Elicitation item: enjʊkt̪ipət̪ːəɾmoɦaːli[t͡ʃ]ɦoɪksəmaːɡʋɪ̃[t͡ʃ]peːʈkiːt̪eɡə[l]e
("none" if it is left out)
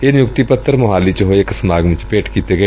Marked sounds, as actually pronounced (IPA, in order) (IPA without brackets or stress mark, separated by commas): t͡ʃ, t͡ʃ, none